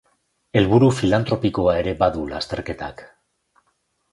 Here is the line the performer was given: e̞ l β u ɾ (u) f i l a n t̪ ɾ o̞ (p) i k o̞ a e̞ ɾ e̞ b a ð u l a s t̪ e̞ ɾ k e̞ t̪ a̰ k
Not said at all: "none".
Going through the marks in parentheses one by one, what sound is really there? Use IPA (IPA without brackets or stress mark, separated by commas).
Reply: u, p